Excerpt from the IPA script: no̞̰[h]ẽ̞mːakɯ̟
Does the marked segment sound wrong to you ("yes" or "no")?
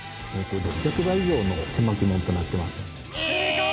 yes